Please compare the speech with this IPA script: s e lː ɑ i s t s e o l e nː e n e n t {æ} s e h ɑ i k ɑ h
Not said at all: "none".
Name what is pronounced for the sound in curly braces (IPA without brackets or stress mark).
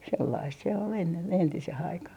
i